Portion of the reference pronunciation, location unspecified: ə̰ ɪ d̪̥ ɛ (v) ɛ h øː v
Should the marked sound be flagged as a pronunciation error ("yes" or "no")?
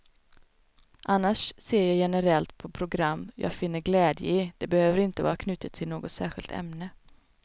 yes